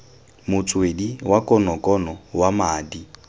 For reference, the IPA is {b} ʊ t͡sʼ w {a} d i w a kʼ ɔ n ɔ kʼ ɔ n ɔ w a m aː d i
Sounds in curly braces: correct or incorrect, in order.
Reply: incorrect, incorrect

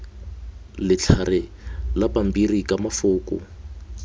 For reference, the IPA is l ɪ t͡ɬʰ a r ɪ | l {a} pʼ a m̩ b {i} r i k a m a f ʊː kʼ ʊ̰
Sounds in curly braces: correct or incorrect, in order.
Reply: correct, correct

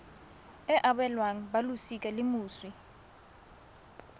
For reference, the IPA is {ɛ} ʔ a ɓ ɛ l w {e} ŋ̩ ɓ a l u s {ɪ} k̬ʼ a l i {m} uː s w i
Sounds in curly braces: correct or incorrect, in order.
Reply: correct, incorrect, incorrect, correct

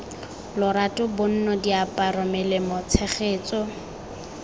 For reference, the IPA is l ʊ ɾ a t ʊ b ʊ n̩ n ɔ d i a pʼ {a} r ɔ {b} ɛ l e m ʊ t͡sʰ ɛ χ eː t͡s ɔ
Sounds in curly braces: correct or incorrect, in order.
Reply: correct, incorrect

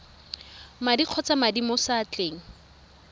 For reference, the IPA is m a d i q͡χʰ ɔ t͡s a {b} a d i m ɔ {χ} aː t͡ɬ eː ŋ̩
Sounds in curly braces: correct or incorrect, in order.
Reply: incorrect, incorrect

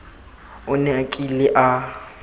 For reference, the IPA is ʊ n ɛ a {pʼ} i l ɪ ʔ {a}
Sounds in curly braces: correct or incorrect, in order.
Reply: incorrect, correct

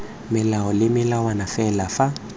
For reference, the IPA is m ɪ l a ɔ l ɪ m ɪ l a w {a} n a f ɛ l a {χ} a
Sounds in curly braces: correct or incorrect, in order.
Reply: correct, incorrect

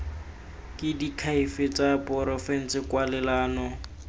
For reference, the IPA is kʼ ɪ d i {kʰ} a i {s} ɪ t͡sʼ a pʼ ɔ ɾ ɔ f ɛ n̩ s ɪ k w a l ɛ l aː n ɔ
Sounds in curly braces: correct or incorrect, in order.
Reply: correct, incorrect

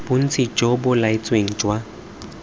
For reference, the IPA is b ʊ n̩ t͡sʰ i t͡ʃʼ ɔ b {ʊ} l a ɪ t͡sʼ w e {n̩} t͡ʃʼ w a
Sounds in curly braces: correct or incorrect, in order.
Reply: correct, incorrect

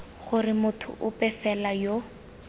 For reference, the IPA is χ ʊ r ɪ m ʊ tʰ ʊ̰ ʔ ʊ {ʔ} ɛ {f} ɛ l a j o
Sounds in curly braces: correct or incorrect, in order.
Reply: incorrect, correct

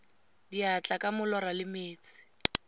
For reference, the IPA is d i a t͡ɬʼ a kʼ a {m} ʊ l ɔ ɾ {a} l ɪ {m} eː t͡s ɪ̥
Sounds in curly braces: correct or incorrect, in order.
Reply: correct, correct, correct

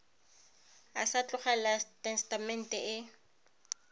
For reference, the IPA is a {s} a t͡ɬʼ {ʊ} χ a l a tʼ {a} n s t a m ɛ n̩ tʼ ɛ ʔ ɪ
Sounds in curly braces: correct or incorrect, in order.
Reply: correct, correct, incorrect

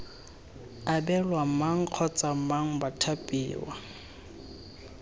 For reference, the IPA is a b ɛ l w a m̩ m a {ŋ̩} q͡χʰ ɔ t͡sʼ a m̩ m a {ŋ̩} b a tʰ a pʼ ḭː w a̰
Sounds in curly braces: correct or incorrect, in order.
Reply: correct, correct

